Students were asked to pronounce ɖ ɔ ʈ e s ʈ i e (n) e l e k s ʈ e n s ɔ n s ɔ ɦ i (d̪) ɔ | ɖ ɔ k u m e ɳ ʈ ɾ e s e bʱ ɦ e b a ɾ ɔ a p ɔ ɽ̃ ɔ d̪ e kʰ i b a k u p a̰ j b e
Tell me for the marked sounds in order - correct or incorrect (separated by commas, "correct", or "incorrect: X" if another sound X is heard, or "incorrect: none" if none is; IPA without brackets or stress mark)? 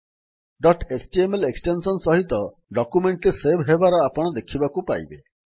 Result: incorrect: m, incorrect: t̪